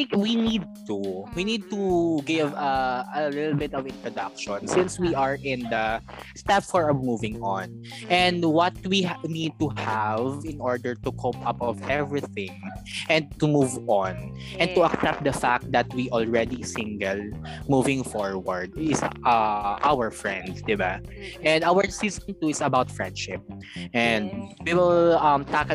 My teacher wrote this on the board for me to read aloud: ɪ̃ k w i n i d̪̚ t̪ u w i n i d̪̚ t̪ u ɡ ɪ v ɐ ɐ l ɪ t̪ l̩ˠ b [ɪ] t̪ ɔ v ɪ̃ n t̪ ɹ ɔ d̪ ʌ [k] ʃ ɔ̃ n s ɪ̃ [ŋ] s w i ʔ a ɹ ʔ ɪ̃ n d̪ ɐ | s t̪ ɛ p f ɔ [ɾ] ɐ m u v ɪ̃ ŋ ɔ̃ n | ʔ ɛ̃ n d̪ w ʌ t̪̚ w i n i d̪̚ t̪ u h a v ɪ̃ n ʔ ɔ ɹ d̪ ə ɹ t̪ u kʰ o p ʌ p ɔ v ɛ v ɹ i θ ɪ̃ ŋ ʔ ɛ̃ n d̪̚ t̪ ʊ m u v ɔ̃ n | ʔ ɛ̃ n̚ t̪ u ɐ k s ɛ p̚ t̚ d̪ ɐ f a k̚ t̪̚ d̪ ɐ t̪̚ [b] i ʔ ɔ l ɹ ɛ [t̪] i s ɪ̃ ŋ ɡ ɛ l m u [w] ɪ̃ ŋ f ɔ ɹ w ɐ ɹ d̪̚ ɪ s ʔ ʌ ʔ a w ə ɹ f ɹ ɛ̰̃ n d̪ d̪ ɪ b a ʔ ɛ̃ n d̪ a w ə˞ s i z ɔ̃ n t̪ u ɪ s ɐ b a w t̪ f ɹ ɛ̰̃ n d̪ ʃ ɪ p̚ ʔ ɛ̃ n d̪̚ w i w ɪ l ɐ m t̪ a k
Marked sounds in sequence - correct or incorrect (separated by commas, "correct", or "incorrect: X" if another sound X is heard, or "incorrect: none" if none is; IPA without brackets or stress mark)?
correct, correct, incorrect: n, incorrect: ɹ, incorrect: w, incorrect: d̪, incorrect: v